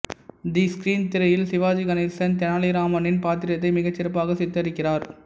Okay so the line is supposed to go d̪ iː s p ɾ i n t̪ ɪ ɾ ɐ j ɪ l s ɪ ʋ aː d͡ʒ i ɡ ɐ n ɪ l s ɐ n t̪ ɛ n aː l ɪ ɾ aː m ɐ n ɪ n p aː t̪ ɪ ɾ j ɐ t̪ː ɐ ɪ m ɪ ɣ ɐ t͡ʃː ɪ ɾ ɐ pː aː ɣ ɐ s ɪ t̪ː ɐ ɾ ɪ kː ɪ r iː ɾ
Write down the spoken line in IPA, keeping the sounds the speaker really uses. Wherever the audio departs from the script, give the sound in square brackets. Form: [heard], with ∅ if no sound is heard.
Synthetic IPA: d̪ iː s [k] ɾ [iː] n t̪ ɪ ɾ ɐ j ɪ l s ɪ ʋ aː d͡ʒ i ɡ ɐ n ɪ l s ɐ n t̪ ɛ n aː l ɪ ɾ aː m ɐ n ɪ n p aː t̪ ɪ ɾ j ɐ t̪ː ɐ ɪ m ɪ ɣ ɐ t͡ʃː ɪ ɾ ɐ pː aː ɣ ɐ s ɪ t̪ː ɐ ɾ ɪ kː ɪ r [aː] ɾ